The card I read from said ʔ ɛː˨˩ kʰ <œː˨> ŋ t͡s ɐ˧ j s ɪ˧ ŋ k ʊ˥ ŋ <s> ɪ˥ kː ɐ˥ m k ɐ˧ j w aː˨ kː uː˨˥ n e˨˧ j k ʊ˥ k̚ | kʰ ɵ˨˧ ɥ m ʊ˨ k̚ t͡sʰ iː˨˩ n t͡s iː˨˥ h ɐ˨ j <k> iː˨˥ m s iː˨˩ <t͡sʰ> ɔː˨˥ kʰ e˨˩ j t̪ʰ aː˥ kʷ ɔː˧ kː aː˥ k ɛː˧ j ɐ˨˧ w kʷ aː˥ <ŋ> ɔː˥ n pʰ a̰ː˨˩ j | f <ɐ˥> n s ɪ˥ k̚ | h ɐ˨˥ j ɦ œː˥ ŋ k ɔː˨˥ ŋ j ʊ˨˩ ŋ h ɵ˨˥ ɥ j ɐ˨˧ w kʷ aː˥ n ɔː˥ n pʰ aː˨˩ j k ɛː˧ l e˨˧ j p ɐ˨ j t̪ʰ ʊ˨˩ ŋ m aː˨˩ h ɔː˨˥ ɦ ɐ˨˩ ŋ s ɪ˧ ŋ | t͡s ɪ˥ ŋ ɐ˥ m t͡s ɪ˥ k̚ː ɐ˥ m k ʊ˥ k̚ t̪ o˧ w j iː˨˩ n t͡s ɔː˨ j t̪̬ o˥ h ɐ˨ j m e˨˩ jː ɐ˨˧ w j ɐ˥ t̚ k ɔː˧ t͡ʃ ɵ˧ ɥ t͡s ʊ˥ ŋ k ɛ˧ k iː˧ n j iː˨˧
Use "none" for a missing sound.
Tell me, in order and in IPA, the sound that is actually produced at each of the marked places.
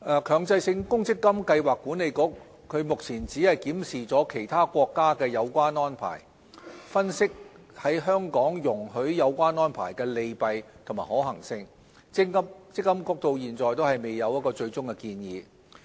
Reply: œː˨, t͡s, k, t͡s, n, ɐ˥

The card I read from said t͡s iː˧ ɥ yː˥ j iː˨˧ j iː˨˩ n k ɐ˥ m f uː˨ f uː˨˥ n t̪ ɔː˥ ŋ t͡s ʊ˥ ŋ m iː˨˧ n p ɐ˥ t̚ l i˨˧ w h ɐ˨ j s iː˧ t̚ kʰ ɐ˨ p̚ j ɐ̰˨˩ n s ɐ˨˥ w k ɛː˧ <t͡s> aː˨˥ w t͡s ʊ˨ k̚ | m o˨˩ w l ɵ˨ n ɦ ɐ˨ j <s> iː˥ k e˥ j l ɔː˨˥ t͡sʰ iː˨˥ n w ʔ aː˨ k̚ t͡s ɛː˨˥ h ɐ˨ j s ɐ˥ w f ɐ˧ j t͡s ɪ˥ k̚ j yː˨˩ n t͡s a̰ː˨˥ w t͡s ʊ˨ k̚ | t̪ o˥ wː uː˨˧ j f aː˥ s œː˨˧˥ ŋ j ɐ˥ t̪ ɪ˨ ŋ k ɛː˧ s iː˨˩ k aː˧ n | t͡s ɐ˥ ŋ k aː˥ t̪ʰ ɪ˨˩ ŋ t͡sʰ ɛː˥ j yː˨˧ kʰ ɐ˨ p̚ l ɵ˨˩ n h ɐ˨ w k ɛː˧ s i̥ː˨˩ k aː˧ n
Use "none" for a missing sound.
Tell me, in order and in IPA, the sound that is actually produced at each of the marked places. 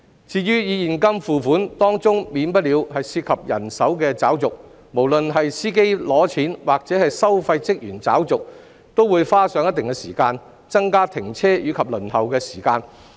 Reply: t͡s, s

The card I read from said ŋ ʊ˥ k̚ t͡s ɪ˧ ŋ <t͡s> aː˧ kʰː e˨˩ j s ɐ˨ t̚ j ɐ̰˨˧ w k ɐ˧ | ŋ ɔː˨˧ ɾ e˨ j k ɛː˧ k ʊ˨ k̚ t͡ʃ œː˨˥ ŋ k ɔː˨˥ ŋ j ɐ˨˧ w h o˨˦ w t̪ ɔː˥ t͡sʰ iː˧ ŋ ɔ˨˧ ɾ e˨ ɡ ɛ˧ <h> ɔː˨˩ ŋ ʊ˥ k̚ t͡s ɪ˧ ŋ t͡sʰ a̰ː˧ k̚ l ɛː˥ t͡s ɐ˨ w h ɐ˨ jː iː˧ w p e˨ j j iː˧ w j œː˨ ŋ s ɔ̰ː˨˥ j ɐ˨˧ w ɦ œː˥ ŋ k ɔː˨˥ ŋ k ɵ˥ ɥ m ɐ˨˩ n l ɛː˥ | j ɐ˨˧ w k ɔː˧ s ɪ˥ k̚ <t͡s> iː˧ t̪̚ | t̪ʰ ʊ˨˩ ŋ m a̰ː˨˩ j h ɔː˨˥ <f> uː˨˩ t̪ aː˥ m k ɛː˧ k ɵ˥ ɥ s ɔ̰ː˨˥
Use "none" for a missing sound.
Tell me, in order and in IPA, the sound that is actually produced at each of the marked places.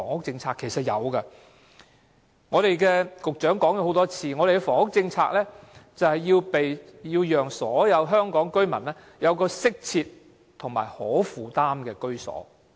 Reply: t͡sʰ, f, t͡sʰ, f

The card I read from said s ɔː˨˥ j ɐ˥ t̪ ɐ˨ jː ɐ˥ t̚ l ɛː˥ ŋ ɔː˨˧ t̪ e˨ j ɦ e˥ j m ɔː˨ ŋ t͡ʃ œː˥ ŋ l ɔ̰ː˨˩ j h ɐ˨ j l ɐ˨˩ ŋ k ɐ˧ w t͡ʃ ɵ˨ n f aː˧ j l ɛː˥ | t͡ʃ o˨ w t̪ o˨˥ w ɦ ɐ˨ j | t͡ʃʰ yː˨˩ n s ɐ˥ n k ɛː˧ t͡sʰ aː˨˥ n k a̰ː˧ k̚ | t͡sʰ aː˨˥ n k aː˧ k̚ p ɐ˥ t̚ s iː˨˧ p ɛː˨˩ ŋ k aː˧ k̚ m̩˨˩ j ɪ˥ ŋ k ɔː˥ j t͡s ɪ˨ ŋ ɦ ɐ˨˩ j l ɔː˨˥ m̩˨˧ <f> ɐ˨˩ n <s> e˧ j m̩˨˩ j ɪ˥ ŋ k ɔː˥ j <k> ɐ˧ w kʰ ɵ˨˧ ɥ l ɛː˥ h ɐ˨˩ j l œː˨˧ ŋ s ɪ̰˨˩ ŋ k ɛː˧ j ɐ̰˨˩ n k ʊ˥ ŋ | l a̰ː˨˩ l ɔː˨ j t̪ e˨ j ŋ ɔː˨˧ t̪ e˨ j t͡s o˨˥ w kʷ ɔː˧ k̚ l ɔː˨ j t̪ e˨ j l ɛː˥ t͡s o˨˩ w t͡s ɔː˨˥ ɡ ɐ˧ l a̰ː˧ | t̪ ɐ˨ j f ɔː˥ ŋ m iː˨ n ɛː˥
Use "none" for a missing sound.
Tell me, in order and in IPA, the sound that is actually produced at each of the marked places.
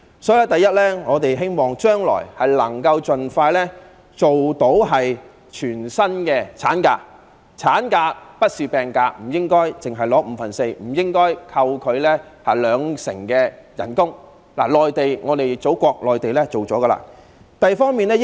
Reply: f, s, kʰ

